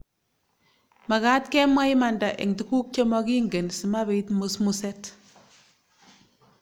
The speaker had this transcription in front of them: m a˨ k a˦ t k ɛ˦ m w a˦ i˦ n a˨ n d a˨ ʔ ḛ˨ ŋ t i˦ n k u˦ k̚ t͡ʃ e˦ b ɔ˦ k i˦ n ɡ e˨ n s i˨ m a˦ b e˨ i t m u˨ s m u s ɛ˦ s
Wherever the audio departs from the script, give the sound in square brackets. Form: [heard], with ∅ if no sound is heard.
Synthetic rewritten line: m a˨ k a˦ t k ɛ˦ m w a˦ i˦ [m] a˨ n d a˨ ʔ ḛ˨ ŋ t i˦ [∅] k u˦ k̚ t͡ʃ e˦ [m] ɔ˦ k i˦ [ŋ] ɡ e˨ n s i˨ m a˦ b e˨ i t m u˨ s m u s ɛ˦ [t]